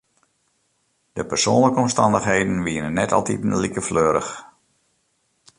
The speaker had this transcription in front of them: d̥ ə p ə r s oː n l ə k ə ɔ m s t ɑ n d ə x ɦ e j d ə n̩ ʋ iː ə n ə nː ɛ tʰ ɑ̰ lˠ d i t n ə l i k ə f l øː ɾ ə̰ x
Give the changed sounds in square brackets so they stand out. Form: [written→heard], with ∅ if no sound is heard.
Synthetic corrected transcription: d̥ ə p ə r s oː n l ə k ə ɔ m s t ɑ n d ə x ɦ e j d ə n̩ ʋ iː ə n ə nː ɛ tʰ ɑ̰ lˠ [d→t] i t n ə l i k ə f l øː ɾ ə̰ x